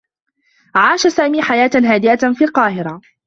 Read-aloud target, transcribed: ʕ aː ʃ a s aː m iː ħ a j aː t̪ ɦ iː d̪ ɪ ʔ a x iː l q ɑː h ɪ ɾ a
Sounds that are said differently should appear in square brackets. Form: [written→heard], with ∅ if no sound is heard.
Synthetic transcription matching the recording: ʕ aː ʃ a s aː m iː ħ a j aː t̪ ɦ [iː→aː] d̪ ɪ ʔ a [x→f] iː l q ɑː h ɪ ɾ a